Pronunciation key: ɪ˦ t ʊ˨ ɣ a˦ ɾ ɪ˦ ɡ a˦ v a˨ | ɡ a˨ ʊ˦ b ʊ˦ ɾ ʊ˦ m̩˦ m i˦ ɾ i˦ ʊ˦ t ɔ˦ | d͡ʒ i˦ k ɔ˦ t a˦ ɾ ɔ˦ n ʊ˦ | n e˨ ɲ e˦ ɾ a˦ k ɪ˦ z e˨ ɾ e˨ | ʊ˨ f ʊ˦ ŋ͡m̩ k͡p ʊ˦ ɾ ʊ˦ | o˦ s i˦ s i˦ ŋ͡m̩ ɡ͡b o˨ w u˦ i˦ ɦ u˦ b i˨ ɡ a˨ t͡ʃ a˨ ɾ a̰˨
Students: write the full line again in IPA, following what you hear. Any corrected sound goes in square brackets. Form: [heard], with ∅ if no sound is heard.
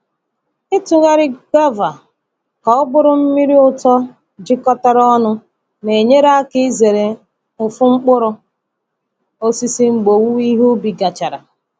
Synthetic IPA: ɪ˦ t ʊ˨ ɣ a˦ ɾ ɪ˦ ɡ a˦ v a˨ | [k] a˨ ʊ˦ b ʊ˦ ɾ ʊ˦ m̩˦ m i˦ ɾ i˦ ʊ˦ t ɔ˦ | d͡ʒ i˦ k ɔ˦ t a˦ ɾ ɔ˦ n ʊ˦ | n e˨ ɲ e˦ ɾ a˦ k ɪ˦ z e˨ ɾ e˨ | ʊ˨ f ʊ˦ ŋ͡m̩ k͡p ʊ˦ ɾ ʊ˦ | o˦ s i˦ s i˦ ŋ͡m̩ ɡ͡b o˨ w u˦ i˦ ɦ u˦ b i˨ ɡ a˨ t͡ʃ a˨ ɾ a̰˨